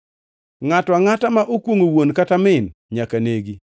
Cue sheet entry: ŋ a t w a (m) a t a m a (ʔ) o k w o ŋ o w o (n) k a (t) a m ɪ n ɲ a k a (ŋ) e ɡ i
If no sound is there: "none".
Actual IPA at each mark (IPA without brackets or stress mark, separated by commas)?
ŋ, ʔ, n, t, n